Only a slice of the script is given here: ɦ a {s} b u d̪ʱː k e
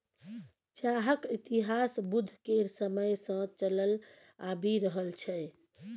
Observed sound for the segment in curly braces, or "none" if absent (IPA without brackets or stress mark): s